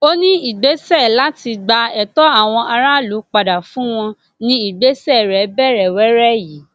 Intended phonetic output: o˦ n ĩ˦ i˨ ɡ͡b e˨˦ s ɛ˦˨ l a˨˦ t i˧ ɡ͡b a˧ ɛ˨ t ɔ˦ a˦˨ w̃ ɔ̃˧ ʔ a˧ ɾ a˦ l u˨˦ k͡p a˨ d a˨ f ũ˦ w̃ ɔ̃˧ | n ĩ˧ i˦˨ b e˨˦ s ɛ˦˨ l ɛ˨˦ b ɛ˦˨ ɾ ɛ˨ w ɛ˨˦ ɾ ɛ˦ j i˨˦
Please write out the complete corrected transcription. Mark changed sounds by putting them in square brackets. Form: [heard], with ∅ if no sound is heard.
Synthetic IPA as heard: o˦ n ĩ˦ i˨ ɡ͡b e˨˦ s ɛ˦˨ l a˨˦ t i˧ ɡ͡b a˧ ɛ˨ t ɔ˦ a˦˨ w̃ ɔ̃˧ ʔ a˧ ɾ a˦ l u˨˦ k͡p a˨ d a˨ f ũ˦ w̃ ɔ̃˧ | n ĩ˧ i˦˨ [ɡ͡b] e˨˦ s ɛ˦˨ [ɾ] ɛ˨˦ b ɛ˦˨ ɾ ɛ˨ w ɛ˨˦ ɾ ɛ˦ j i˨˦